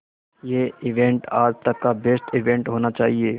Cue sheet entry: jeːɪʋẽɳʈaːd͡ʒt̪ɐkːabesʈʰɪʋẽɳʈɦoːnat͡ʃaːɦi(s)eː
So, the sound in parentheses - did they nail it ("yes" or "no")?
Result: no